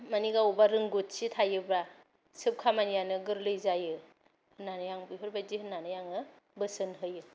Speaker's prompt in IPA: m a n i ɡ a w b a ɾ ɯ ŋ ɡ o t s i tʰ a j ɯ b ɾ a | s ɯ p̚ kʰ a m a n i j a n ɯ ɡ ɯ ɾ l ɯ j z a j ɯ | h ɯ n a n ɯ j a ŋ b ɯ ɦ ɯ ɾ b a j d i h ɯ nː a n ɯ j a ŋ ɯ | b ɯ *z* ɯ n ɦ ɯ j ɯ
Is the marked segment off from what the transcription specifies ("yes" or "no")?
yes